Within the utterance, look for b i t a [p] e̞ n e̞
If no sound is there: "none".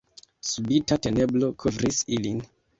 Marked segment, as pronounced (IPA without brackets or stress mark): t